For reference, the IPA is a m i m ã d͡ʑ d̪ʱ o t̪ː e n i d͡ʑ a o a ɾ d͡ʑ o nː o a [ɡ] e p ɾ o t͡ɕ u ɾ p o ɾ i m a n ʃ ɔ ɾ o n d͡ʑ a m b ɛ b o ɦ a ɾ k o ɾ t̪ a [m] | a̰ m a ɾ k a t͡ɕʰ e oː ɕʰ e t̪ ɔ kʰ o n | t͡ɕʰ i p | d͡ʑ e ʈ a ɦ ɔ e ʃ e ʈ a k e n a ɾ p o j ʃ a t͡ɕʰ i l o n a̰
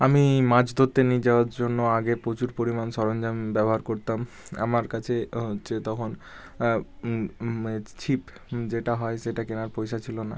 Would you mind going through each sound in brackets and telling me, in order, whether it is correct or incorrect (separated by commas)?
correct, correct